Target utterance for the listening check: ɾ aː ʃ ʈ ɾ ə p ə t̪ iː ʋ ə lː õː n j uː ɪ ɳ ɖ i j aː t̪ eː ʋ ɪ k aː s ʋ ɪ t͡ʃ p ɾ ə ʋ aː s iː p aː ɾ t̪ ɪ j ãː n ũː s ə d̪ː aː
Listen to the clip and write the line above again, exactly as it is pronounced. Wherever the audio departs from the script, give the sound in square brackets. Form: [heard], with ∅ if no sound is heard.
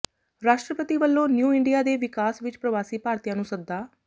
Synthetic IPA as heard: ɾ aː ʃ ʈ ɾ ə p ə t̪ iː ʋ ə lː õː n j uː ɪ ɳ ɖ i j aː [d̪] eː ʋ ɪ k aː s ʋ ɪ t͡ʃ p ɾ ə ʋ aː s iː p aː ɾ t̪ [i] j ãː n ũː s ə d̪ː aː